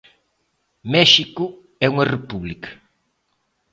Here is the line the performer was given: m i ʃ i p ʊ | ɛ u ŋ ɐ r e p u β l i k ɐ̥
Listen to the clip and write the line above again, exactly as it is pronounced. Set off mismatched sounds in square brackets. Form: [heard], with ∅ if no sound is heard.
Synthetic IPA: m [ɛ] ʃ i [k] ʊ | ɛ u ŋ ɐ r e p u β l i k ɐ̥

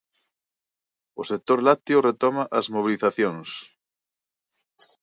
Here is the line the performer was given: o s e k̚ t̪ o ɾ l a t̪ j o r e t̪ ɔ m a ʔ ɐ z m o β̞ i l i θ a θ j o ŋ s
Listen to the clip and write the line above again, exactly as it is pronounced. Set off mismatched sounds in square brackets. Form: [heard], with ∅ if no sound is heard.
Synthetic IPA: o s e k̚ t̪ o ɾ l a t̪ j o r e t̪ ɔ m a ʔ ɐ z m o β̞ i l i θ a θ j o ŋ s

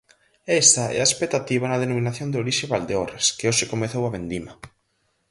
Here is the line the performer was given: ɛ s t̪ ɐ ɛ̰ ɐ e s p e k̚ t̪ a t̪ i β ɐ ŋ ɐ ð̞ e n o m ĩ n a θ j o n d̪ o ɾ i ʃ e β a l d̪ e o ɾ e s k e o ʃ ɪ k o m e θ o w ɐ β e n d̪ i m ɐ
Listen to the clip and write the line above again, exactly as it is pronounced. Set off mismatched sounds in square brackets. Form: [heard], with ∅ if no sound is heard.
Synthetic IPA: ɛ s t̪ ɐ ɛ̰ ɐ e s p e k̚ t̪ a t̪ i β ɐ [n] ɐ ð̞ e n o m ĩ n a θ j o n d̪ o ɾ i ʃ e β a l d̪ e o ɾ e s k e o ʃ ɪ k o m e θ o w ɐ β e n d̪ i m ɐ

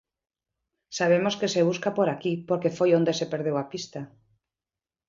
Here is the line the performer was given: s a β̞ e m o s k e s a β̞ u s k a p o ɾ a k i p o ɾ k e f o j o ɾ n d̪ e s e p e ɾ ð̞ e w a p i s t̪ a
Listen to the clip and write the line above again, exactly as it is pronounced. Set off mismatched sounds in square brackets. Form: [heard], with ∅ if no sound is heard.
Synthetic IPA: s a β̞ e m o s k e s [e] β̞ u s k a p o ɾ a k i p o ɾ k e f o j o [∅] n d̪ e s e p e ɾ ð̞ e w a p i s t̪ a

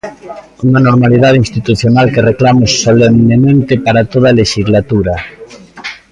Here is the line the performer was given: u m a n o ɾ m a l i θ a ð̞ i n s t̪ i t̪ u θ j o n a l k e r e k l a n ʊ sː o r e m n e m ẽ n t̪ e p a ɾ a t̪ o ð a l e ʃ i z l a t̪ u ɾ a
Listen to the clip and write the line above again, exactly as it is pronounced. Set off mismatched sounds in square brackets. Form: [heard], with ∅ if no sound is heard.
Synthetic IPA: u [ŋ] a n o ɾ m a l i [ð] a ð̞ i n s t̪ i t̪ u θ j o n a l k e r e k l a [m] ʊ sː o [l] e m n e m ẽ n t̪ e p a ɾ a t̪ o ð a l e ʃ i z l a t̪ u ɾ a

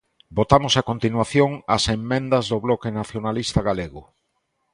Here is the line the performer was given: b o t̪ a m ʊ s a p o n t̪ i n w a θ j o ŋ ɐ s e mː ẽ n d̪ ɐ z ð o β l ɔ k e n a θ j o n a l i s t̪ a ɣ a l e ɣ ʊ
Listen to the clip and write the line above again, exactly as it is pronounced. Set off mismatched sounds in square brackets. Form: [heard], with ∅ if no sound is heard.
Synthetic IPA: b o t̪ a m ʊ s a [k] o n t̪ i n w a θ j o ŋ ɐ s e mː ẽ n d̪ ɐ z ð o β l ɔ k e n a θ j o n a l i s t̪ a ɣ a l e ɣ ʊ

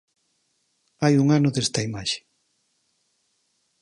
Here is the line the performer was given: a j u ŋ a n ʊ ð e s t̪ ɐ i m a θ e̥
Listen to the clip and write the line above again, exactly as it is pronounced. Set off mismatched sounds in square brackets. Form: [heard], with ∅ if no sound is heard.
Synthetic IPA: a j u ŋ a n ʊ ð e s t̪ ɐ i m a [ʃ] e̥

